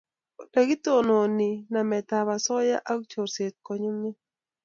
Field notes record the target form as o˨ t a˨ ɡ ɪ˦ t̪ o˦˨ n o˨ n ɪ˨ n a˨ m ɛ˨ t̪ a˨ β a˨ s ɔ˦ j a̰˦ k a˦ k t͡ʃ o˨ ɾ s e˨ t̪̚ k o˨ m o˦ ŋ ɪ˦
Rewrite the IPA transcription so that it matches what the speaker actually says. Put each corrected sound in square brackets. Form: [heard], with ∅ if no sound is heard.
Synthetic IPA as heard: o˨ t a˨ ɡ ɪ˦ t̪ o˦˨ n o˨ n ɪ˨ n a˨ m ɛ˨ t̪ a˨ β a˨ s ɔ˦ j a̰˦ [ʔ] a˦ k t͡ʃ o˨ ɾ s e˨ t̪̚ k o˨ [ɲ] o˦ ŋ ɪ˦